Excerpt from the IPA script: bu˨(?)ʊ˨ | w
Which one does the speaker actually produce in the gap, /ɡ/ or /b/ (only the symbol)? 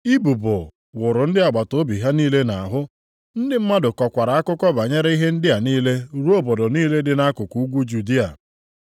b